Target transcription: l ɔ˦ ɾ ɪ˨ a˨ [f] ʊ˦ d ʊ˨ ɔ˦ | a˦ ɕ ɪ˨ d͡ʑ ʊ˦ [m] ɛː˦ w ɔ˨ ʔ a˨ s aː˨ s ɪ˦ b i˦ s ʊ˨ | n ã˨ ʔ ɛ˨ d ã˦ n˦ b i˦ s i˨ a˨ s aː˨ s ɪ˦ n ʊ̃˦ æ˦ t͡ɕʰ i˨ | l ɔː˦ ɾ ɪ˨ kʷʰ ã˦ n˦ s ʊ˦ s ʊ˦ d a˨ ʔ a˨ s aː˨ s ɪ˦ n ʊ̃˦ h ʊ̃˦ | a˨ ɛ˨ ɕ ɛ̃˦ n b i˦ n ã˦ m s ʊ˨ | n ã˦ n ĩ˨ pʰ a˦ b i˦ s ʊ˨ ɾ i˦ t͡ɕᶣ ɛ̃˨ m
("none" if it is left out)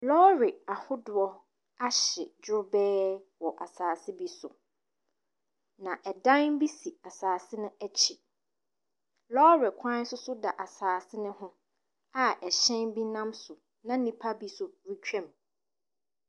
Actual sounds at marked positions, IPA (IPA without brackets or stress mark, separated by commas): h, b